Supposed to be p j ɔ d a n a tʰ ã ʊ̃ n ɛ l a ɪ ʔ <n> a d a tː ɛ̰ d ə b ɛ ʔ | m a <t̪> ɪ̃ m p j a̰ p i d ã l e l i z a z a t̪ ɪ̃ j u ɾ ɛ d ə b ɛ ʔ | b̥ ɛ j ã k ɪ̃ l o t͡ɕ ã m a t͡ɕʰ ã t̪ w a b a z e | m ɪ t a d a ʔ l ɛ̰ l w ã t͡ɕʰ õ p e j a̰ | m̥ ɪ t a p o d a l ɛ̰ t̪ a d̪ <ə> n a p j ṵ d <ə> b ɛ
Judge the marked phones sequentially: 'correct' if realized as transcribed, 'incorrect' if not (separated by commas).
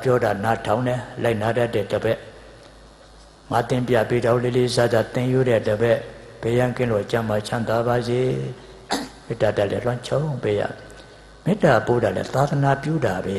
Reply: correct, correct, correct, incorrect